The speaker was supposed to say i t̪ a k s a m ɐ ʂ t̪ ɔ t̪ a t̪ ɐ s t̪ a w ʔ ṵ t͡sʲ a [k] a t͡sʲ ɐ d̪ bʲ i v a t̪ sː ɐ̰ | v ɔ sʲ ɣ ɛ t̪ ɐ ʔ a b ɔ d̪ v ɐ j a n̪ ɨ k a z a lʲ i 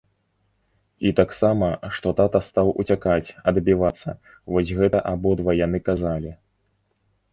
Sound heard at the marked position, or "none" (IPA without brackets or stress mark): k